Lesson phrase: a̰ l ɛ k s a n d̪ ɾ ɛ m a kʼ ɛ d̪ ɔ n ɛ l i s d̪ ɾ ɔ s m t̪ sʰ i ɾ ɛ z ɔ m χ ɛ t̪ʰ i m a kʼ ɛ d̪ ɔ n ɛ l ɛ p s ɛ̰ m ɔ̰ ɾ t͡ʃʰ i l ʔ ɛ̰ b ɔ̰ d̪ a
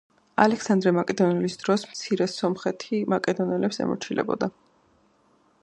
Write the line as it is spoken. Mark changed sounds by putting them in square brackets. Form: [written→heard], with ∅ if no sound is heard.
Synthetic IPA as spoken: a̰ l ɛ k s a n d̪ ɾ ɛ m a kʼ ɛ d̪ ɔ n ɛ l i s d̪ ɾ ɔ s m t̪ sʰ i ɾ ɛ [z→s] ɔ m χ ɛ t̪ʰ i m a kʼ ɛ d̪ ɔ n ɛ l ɛ p s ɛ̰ m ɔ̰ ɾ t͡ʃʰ i l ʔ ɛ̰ b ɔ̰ d̪ a